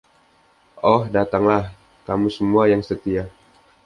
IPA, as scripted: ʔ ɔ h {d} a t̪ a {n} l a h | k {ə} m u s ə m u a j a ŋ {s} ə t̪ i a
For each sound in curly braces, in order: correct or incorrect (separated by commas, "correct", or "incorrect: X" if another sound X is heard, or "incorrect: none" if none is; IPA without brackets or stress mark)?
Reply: correct, incorrect: ŋ, incorrect: a, correct